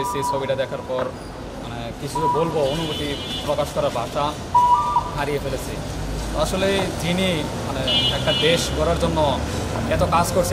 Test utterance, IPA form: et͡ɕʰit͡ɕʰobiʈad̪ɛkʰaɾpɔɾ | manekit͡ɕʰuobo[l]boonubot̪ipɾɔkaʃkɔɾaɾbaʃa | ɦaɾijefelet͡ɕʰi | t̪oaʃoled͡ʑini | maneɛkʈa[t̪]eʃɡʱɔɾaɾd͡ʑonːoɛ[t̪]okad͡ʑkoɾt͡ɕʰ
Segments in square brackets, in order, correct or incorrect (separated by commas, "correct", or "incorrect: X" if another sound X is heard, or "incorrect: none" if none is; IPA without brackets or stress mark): correct, incorrect: d̪, correct